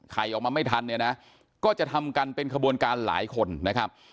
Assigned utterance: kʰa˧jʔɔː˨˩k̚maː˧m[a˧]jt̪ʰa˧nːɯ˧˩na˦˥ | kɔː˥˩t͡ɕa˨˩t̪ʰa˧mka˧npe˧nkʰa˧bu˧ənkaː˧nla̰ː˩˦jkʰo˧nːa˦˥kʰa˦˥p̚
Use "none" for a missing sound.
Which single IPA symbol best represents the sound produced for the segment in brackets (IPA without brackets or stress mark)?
a˥˩